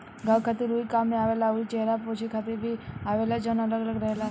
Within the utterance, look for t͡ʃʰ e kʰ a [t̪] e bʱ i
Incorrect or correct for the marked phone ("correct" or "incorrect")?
correct